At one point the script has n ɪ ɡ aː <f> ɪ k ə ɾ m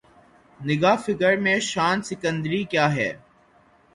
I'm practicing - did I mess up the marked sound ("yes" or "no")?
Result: no